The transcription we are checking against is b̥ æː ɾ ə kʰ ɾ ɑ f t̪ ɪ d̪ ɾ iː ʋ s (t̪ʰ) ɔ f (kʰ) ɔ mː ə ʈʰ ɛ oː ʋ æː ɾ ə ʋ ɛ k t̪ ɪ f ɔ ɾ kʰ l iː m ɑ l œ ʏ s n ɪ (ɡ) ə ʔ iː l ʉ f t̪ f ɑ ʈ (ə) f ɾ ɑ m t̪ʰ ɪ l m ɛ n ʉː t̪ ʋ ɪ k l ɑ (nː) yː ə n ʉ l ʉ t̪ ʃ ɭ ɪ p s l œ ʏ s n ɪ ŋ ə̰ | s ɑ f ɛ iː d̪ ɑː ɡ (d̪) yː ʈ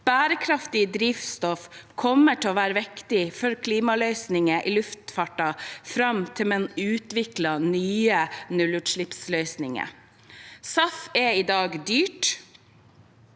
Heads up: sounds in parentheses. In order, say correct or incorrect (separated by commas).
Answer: incorrect, correct, incorrect, incorrect, incorrect, correct